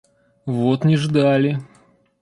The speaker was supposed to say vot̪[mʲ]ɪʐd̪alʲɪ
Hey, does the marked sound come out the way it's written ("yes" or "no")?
no